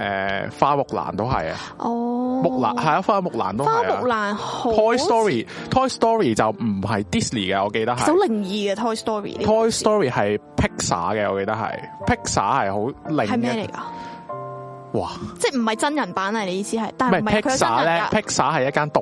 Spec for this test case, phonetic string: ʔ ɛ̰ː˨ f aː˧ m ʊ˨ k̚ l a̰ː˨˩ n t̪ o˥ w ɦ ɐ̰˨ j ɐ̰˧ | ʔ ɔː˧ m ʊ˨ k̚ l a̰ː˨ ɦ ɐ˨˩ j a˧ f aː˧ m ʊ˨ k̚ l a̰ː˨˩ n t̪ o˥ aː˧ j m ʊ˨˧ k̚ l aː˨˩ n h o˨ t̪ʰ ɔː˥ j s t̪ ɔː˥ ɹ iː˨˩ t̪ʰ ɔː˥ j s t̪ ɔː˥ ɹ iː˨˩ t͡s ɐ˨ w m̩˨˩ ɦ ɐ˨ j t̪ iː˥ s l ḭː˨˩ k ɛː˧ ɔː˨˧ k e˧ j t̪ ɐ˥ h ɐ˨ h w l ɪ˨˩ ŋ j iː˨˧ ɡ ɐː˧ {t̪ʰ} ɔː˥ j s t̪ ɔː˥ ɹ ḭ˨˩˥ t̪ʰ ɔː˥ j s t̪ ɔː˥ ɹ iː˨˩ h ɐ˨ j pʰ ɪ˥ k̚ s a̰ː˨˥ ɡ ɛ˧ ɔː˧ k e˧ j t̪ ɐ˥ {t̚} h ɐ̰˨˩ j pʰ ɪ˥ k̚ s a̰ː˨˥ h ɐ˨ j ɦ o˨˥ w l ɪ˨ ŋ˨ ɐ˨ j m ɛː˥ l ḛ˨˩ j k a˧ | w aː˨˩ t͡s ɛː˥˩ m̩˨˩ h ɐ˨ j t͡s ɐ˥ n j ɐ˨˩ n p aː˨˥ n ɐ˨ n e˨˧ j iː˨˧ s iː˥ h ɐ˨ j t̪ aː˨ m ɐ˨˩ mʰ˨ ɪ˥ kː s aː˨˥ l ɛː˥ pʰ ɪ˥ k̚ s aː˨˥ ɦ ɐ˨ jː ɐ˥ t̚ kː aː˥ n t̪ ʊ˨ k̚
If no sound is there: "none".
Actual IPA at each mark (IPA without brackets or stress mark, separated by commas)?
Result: t̪ʰ, k̚